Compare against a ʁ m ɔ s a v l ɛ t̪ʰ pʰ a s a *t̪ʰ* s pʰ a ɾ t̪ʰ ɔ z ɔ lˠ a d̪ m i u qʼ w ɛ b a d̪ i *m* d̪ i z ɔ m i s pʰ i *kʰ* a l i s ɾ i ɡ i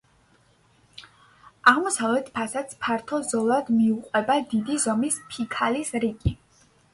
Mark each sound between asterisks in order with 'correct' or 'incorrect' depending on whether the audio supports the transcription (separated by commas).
incorrect, incorrect, correct